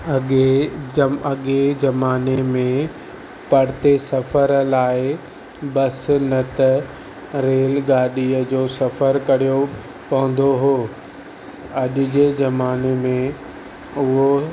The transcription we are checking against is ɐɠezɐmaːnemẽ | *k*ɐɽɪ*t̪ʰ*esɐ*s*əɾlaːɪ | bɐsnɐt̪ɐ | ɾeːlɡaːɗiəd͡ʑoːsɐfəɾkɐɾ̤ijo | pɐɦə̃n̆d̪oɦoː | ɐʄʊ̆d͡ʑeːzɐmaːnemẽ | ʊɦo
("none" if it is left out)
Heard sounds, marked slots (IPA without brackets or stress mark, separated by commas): p, t̪, f